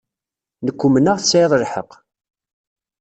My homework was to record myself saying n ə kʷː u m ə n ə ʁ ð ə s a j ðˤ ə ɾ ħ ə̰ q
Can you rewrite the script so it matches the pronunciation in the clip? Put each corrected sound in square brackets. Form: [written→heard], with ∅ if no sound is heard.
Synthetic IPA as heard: n ə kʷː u m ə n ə ʁ [ð→θ] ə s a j ðˤ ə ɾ ħ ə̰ q